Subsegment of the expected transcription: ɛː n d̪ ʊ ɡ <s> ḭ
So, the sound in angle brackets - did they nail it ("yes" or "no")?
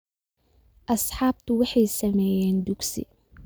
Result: yes